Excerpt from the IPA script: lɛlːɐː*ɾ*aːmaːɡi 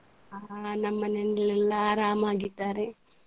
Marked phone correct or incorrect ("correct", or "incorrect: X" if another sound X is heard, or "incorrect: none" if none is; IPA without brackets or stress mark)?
correct